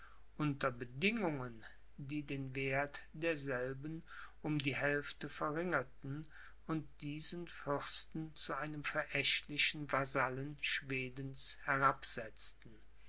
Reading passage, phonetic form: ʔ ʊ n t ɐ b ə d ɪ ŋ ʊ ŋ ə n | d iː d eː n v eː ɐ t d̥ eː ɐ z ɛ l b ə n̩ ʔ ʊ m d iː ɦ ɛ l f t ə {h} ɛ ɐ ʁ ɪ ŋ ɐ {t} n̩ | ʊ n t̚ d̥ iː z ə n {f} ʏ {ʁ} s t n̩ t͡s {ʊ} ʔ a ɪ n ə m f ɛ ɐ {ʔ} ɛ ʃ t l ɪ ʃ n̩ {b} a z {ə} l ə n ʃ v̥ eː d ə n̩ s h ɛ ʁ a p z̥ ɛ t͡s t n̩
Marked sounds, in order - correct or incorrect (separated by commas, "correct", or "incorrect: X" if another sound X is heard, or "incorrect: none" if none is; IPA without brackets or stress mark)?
incorrect: f, correct, correct, correct, incorrect: u, correct, incorrect: v, incorrect: a